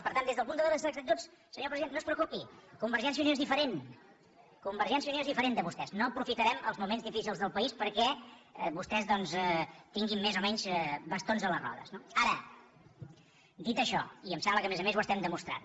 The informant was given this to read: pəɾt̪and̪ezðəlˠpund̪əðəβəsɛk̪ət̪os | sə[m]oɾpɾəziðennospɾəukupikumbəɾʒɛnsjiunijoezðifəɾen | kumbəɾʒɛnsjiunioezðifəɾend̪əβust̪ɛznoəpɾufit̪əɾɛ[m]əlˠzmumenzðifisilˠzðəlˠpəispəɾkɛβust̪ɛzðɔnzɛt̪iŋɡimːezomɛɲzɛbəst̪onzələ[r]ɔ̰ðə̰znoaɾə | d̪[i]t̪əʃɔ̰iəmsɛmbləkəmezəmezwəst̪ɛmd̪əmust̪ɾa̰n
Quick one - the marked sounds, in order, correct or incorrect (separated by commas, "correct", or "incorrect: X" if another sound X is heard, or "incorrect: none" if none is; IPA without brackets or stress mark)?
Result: incorrect: ɲ, correct, correct, correct